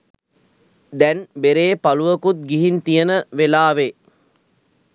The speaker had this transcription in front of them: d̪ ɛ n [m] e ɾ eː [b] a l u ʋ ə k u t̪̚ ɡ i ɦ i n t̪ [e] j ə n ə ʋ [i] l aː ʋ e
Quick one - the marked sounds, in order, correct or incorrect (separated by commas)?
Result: incorrect, incorrect, incorrect, incorrect